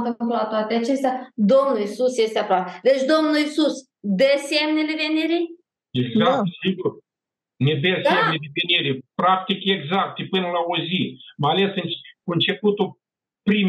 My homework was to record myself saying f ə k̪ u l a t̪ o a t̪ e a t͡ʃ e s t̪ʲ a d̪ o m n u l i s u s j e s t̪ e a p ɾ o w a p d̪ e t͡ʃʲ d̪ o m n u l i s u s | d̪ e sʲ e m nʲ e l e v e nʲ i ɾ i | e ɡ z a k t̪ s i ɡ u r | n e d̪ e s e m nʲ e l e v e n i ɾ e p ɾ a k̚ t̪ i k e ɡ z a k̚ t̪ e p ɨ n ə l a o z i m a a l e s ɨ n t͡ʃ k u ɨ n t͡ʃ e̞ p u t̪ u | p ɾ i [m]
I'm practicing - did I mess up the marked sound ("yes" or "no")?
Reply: no